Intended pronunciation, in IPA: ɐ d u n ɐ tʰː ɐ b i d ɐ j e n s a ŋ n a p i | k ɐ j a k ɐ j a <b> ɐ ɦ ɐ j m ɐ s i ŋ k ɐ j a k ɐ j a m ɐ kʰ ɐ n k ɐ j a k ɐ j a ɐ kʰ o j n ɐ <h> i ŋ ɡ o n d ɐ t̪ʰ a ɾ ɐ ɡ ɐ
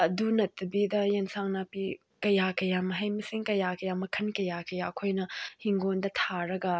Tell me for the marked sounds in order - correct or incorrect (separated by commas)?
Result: incorrect, correct